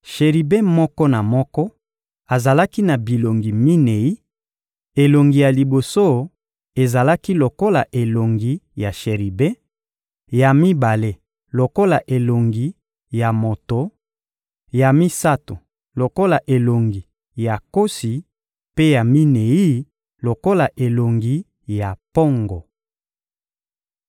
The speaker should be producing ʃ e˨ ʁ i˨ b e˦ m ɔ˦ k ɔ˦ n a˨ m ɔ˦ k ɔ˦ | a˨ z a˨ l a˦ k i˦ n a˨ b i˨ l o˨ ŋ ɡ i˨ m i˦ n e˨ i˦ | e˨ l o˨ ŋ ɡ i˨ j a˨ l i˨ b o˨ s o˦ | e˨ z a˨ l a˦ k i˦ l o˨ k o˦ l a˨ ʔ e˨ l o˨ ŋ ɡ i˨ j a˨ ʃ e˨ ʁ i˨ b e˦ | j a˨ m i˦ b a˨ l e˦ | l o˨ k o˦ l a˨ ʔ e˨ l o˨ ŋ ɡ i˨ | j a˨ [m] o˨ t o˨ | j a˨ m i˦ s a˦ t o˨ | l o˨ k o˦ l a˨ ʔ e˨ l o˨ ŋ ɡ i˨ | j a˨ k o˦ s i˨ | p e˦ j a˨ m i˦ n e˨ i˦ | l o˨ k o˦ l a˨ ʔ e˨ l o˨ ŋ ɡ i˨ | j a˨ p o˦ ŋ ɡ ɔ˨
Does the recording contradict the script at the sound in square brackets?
no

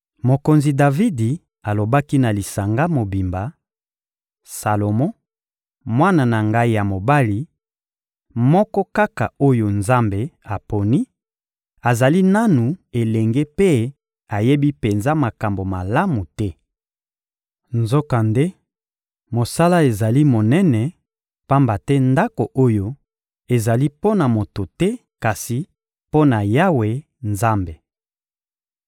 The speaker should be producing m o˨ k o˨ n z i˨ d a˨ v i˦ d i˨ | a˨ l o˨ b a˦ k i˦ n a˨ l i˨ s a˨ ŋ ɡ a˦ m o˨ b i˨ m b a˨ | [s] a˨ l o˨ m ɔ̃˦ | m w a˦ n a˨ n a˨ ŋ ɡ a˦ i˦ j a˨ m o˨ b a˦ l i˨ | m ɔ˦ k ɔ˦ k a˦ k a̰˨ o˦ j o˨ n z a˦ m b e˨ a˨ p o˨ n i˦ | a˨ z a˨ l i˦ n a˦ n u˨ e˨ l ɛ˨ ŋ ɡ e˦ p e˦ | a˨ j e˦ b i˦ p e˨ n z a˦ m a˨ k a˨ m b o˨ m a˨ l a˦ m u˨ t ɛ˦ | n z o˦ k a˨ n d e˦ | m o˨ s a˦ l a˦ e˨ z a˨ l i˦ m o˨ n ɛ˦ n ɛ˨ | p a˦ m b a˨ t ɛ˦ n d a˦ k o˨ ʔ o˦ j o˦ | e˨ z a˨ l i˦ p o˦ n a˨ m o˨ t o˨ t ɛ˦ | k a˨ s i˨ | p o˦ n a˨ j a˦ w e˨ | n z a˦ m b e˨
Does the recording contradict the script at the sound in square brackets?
no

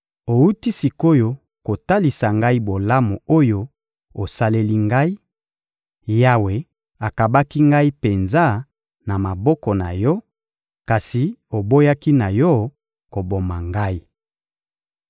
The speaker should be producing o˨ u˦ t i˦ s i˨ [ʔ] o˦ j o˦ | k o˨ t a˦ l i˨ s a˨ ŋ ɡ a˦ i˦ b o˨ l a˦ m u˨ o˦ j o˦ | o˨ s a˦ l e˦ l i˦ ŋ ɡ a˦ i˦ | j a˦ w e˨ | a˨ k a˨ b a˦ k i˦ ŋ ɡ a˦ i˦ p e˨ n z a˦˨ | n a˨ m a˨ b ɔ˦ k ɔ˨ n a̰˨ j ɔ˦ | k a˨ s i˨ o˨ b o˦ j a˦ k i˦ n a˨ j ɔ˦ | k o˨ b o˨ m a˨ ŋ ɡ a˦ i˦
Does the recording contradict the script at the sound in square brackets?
yes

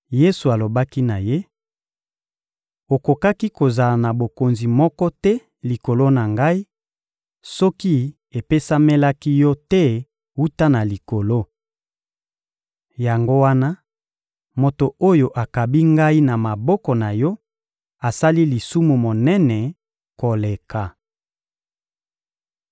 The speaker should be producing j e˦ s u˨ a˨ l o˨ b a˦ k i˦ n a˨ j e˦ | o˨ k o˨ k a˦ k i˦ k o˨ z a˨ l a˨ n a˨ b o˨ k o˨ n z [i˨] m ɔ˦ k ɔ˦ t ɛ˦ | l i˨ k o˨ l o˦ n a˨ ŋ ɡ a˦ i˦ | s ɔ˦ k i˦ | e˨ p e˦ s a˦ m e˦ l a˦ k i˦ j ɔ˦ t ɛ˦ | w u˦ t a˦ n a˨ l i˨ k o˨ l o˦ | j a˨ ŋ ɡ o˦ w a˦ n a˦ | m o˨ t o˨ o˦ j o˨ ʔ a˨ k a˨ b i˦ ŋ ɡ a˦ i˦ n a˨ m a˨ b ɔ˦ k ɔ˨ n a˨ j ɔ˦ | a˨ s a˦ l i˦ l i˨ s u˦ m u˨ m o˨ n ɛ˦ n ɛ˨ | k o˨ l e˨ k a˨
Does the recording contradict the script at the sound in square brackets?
no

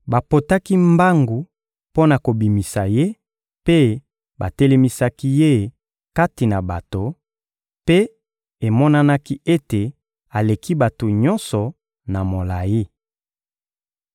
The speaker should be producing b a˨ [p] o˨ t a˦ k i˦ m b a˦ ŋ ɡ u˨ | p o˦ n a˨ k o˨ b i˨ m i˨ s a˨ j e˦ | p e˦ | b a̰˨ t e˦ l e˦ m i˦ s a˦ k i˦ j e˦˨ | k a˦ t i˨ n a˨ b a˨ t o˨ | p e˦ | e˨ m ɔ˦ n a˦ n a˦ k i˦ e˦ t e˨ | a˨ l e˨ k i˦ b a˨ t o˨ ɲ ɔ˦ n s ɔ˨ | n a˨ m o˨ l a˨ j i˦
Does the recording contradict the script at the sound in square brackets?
no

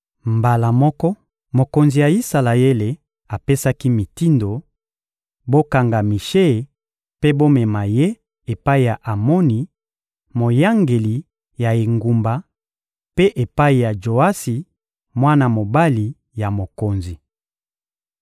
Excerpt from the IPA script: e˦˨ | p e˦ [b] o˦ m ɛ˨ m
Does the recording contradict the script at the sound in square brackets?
no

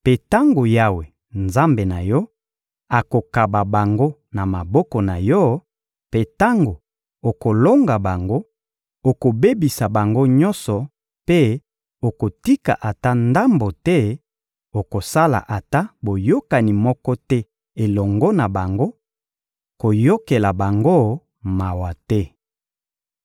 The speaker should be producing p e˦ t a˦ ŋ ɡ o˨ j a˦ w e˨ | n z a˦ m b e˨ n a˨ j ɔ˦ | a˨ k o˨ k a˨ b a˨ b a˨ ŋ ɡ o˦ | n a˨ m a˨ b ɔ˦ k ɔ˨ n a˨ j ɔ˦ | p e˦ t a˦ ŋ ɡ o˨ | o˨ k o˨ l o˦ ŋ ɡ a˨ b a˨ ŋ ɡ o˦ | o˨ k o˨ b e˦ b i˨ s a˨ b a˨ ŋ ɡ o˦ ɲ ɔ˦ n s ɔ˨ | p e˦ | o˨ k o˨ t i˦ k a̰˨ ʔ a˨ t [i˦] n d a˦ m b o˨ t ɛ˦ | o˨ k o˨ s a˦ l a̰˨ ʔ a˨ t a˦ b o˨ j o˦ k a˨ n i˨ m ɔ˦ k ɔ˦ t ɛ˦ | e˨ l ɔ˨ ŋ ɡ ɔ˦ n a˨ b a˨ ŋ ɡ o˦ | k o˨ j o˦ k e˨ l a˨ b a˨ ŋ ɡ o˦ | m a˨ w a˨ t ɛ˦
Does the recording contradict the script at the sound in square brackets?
yes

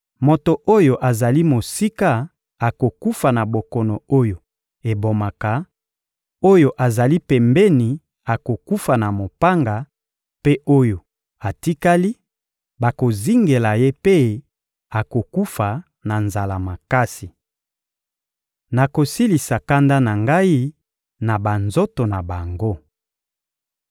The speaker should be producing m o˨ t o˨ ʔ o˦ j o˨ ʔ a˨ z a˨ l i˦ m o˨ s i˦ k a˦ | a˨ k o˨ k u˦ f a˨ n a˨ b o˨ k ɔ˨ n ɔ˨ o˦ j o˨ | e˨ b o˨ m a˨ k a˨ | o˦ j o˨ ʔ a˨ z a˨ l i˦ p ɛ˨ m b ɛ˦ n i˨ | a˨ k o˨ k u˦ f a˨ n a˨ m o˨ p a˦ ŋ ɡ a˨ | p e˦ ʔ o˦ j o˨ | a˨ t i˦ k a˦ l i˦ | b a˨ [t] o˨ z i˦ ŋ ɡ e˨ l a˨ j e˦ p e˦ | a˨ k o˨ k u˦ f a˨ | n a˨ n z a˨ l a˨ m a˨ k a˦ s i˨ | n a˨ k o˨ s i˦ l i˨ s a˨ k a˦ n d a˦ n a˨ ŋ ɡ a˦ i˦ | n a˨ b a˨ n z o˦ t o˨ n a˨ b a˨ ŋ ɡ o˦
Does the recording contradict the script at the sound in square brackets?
yes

